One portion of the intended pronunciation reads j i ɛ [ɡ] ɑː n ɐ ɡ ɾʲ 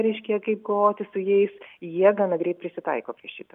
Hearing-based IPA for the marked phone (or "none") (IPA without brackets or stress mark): ɡ